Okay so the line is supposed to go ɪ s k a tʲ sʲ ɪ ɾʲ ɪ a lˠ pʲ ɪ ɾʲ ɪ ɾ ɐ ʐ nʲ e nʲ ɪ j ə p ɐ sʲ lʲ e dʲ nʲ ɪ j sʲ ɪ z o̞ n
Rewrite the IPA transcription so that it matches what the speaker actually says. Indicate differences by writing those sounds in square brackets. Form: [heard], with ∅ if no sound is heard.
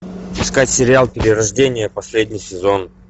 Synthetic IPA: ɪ s k a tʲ sʲ ɪ ɾʲ ɪ a lˠ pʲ ɪ ɾʲ ɪ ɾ ɐ ʐ [dʲ] e nʲ ɪ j ə p ɐ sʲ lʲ e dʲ nʲ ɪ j sʲ ɪ z o̞ n

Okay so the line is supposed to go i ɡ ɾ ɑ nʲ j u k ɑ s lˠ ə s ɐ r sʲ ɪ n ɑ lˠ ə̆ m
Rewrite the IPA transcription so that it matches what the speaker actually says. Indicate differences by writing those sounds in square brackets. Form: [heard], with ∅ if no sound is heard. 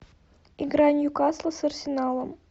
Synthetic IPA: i ɡ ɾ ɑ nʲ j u k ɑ s lˠ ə s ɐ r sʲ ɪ n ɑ lˠ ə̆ m

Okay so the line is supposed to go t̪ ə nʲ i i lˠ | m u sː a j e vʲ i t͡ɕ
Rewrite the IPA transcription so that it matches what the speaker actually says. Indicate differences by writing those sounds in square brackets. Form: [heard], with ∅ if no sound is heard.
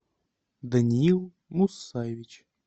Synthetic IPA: [d̪] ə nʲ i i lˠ | m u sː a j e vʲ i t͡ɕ

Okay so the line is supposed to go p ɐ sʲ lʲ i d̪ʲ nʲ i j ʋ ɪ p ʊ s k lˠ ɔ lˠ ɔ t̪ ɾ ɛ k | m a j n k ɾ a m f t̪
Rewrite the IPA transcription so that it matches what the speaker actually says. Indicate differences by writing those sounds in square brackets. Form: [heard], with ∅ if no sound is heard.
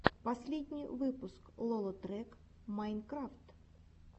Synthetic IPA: p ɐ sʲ lʲ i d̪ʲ nʲ i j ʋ ɪ p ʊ s k lˠ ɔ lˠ ɔ t̪ ɾ ɛ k | m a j n k ɾ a [∅] f t̪

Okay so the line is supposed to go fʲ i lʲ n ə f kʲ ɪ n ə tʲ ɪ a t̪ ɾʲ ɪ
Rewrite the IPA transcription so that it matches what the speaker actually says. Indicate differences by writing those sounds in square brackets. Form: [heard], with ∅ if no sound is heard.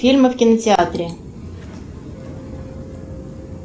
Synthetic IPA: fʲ i lʲ [m] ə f kʲ ɪ n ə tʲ ɪ a t̪ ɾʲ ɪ

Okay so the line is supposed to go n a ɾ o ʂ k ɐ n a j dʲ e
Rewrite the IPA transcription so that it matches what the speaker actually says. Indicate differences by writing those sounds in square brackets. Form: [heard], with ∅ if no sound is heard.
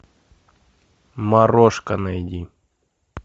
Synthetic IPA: [m] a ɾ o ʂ k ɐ n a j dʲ [i]

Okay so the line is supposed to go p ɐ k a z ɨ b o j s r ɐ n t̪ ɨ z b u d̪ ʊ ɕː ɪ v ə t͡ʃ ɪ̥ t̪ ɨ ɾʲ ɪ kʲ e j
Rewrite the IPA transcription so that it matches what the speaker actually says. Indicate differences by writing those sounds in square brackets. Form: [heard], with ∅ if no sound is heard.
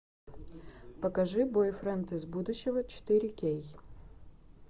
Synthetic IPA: p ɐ k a [ʐ] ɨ b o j [f] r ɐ n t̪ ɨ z b u d̪ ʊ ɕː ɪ v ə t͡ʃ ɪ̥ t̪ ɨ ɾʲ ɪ kʲ e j

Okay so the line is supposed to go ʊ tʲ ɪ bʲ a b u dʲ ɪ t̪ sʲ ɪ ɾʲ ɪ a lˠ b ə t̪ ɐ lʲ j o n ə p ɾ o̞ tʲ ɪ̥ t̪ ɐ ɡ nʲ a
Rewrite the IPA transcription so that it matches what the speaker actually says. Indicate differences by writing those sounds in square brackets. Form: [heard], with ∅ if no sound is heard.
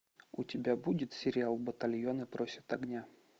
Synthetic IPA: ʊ tʲ ɪ bʲ a b u dʲ ɪ t̪ sʲ ɪ ɾʲ ɪ a lˠ b ə t̪ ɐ lʲ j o n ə p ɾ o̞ [sʲ] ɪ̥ t̪ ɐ ɡ nʲ a

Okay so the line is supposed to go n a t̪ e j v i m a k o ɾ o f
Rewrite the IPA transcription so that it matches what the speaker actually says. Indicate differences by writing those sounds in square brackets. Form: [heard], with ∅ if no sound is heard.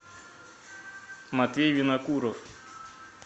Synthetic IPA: [m] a t̪ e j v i [n] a k [u] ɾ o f

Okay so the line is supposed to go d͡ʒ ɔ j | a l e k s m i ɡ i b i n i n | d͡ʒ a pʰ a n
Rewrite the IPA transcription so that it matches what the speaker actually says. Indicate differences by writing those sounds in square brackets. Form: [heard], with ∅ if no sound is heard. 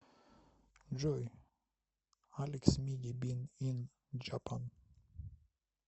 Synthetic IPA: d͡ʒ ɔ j | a l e k s m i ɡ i b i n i n | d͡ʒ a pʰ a n

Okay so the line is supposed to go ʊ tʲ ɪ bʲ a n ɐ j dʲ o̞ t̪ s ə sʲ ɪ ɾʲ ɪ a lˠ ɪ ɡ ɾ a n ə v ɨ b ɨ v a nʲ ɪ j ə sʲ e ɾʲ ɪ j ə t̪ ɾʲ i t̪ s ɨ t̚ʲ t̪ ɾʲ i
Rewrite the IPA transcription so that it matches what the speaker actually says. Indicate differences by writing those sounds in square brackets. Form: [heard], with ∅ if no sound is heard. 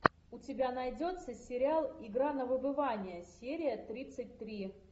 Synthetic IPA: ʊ tʲ ɪ bʲ a n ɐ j dʲ o̞ t̪ s ə sʲ ɪ ɾʲ ɪ a lˠ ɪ ɡ ɾ a n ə v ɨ b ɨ v a nʲ ɪ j ə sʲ e ɾʲ ɪ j ə t̪ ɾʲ i t̪ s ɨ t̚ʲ t̪ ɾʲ i

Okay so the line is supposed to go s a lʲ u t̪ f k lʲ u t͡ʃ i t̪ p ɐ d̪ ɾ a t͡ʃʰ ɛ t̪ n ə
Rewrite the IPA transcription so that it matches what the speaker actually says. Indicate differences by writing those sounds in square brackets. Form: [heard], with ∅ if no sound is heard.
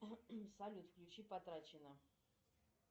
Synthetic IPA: s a lʲ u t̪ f k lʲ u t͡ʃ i [∅] p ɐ [t̪] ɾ a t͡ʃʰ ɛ [∅] n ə

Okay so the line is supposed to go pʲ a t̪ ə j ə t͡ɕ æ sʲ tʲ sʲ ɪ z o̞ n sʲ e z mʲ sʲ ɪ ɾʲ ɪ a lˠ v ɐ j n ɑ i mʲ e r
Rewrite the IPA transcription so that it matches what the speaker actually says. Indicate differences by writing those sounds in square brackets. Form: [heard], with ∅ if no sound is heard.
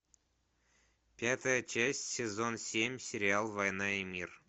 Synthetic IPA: pʲ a t̪ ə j ə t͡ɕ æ sʲ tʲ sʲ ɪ z o̞ n sʲ e [∅] mʲ sʲ ɪ ɾʲ ɪ a lˠ v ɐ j n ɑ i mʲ [i] r

